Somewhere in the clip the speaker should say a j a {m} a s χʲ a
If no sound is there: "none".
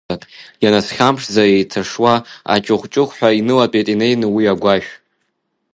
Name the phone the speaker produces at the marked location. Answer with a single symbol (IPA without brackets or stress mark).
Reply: n